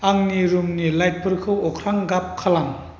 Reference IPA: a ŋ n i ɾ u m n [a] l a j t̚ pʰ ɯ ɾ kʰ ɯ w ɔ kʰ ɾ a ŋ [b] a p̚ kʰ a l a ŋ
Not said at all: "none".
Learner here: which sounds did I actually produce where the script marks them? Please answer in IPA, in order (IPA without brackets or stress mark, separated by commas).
i, ɡ